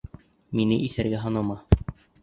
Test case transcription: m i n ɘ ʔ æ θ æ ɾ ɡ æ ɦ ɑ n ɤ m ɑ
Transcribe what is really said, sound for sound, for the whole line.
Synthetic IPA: m i n ɘ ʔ i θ æ ɾ ɡ æ ɦ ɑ n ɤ m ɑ